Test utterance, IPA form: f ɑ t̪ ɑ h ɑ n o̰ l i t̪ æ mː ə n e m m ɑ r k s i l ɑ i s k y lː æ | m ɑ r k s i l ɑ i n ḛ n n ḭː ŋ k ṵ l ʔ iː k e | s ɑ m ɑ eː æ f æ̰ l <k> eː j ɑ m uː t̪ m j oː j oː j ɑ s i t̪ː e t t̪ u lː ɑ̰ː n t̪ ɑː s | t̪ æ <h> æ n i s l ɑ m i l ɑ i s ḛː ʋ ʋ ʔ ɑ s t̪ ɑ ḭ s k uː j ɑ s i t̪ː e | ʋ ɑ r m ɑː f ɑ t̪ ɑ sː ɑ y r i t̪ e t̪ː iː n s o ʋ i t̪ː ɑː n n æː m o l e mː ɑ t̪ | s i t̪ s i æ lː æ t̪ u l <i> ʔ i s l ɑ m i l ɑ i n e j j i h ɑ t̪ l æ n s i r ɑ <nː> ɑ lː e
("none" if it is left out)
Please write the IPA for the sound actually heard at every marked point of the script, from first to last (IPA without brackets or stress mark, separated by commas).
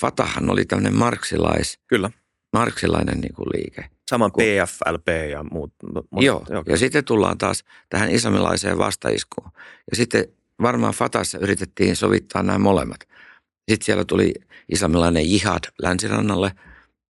p, h, i, nː